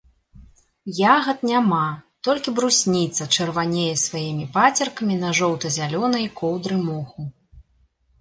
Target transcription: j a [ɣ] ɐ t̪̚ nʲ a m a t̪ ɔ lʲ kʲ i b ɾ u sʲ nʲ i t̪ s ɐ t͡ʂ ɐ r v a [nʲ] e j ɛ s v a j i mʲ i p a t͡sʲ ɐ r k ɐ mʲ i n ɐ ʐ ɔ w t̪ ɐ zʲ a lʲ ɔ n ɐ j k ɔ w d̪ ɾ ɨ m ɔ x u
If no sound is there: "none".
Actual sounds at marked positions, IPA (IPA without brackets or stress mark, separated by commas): ɣ, nʲ